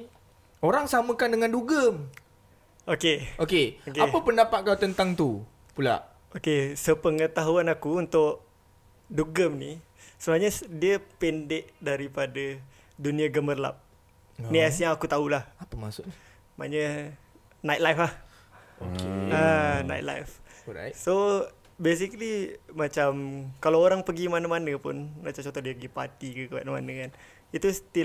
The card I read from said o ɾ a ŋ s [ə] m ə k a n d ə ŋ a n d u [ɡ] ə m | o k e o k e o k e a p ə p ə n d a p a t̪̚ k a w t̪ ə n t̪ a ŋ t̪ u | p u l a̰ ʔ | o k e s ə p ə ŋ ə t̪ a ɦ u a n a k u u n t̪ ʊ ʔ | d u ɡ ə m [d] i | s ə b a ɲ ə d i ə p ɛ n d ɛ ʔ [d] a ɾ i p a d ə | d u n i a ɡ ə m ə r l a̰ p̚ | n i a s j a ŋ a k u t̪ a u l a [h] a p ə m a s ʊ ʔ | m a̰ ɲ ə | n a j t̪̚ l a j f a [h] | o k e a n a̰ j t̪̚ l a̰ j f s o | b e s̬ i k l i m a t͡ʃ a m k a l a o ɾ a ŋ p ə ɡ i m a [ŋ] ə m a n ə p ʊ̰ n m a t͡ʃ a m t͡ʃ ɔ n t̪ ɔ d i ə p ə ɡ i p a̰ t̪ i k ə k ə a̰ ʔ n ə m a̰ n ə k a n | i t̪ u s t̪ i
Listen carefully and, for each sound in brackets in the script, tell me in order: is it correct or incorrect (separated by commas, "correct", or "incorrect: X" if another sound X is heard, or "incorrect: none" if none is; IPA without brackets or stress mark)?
incorrect: a, correct, incorrect: n, correct, correct, correct, incorrect: n